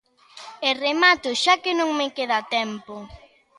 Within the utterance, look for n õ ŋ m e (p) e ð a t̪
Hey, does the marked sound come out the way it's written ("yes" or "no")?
no